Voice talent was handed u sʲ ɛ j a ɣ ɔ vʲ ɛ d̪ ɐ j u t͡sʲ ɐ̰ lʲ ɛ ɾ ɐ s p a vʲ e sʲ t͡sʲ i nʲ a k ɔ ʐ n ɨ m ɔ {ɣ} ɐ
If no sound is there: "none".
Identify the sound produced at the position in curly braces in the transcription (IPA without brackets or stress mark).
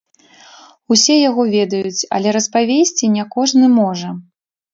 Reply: ʐ